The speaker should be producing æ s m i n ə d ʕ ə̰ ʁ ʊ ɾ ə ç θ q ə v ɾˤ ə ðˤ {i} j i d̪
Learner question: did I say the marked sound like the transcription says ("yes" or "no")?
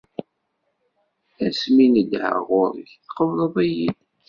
no